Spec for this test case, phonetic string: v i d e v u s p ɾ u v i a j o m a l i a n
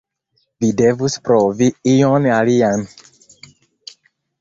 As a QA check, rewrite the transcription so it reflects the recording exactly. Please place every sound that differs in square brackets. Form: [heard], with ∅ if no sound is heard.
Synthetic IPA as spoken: v i d e v u s p ɾ [o] v i [i] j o [n] a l i a n